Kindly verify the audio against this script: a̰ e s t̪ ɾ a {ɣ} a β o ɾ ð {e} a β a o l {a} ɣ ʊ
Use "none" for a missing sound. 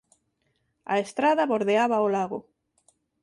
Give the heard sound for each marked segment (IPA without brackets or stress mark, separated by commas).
ð, e, a